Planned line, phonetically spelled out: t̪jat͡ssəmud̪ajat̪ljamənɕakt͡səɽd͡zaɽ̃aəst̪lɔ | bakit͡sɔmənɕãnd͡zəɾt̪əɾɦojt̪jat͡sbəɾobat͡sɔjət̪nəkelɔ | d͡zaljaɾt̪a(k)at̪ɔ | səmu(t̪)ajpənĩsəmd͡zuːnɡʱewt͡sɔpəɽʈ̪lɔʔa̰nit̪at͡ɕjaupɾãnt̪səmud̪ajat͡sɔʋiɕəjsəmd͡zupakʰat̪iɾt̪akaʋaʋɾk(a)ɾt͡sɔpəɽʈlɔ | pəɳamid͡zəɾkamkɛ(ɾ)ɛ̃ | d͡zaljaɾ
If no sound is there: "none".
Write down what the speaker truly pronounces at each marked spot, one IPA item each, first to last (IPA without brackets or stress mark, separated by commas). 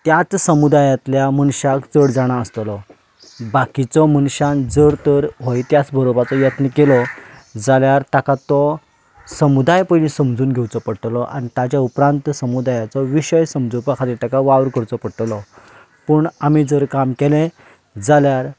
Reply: k, d̪, ə, l